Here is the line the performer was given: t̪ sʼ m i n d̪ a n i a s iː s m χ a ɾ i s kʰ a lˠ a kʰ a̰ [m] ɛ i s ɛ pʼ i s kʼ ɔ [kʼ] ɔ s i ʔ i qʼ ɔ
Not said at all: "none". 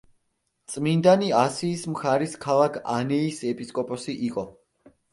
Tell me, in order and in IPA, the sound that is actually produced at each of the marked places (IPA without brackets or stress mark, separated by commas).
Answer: n, pʼ